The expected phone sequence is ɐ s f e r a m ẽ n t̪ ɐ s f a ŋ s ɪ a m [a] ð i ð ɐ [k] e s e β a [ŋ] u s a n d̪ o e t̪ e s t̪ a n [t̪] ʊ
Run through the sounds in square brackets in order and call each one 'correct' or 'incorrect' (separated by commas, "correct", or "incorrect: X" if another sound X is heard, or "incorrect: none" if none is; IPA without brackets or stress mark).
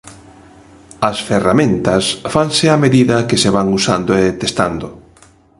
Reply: incorrect: e, correct, correct, incorrect: d̪